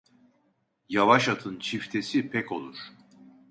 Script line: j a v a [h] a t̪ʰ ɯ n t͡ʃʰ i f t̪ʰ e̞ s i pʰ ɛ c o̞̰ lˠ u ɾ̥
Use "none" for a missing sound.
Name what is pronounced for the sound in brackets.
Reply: ʃ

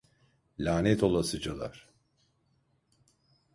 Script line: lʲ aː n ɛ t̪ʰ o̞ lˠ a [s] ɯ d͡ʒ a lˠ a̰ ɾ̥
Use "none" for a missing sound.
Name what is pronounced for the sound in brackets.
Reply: s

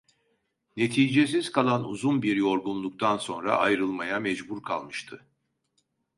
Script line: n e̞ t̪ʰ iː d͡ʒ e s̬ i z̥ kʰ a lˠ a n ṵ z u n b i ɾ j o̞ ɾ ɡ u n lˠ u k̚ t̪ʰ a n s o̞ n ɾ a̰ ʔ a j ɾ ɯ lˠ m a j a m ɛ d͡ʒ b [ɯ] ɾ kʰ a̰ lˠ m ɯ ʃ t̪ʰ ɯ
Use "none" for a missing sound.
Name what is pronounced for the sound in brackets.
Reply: u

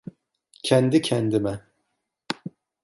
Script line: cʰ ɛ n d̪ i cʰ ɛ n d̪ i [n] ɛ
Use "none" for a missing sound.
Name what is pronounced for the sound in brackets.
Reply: m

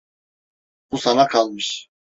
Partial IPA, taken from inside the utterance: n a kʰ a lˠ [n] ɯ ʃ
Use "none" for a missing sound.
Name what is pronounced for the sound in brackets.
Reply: m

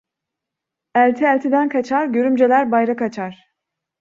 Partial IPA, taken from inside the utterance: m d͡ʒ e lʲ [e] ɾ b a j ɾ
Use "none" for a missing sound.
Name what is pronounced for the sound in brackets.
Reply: æ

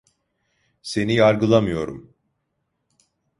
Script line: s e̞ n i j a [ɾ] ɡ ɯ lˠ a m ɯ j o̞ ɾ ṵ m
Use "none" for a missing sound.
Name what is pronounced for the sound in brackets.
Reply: ɾ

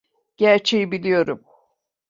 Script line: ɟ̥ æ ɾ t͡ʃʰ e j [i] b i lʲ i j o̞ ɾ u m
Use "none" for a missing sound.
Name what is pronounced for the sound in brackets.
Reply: i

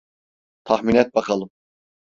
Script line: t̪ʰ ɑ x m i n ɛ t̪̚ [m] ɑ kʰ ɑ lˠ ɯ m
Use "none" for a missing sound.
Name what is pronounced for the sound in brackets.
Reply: b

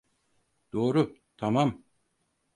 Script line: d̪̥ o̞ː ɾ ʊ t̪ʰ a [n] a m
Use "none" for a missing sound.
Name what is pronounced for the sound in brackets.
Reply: m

